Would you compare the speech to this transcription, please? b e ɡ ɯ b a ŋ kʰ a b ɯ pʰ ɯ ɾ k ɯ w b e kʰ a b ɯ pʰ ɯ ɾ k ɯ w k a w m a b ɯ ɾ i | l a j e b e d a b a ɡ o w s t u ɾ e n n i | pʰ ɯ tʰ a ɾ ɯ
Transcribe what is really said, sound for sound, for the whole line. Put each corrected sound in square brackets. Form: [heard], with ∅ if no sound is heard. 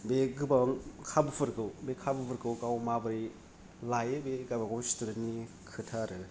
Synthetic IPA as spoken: b e ɡ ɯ b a ŋ kʰ a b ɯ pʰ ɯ ɾ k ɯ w b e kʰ a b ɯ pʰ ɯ ɾ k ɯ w k a w m a b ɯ ɾ i | l a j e b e [ɡ] a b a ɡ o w s t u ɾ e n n i | [kʰ] ɯ tʰ a ɾ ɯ